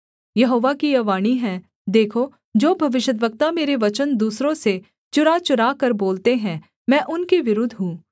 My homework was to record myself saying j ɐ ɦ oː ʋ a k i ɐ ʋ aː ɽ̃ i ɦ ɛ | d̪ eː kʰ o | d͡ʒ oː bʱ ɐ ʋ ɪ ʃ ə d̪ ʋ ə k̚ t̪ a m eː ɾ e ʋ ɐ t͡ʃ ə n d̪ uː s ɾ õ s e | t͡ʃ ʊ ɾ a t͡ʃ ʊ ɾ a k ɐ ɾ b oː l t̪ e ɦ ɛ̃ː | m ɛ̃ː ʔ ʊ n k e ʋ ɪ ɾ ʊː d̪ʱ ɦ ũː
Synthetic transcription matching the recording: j ɐ ɦ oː ʋ a k i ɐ ʋ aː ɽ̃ i ɦ ɛ | d̪ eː kʰ o | d͡ʒ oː bʱ ɐ ʋ ɪ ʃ ə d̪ ʋ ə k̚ t̪ a m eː ɾ e ʋ ɐ t͡ʃ ə n d̪ uː s ɾ õ s e | t͡ʃ ʊ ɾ a t͡ʃ ʊ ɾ a k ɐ ɾ b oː l t̪ e ɦ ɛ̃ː | m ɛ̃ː ʔ ʊ n k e ʋ ɪ ɾ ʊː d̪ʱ ɦ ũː